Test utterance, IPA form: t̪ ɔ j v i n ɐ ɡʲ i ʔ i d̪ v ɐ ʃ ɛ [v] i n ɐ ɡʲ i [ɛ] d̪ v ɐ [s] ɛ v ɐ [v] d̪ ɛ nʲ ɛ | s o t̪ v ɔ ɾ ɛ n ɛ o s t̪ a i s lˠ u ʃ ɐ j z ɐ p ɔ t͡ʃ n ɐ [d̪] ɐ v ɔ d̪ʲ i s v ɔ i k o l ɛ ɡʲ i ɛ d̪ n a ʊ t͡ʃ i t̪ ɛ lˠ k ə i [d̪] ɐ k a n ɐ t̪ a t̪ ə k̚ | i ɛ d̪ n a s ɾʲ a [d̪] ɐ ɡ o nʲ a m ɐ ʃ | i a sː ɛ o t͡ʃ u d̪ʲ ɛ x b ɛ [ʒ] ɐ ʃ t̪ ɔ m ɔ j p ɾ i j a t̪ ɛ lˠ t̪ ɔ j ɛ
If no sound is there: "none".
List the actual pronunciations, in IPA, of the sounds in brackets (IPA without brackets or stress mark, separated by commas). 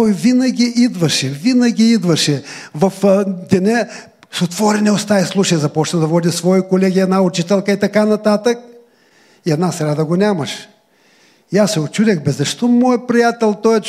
v, i, ʃ, f, d̪, t̪, d̪, z